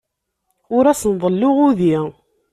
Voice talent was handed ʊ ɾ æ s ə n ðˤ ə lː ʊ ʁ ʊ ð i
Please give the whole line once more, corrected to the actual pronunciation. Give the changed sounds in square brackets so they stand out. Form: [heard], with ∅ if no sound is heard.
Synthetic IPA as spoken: ʊ ɾ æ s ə n ðˤ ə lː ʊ ʁ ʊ ð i